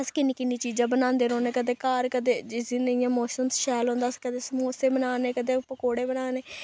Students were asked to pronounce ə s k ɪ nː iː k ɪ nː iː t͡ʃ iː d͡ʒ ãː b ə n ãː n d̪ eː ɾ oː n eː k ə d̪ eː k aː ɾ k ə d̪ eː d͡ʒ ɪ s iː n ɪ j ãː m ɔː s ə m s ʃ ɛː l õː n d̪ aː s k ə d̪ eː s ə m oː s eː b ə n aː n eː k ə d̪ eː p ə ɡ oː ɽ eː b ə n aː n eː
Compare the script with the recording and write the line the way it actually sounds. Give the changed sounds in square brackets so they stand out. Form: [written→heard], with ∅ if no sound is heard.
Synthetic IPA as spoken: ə s k ɪ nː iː k ɪ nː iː t͡ʃ iː d͡ʒ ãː b ə n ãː n d̪ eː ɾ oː n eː k ə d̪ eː k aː ɾ k ə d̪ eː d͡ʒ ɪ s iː n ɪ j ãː m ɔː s ə m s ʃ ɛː l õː n d̪ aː s k ə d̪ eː s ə m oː s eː b ə n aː n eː k ə d̪ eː p ə [ɡ→k] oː ɽ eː b ə n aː n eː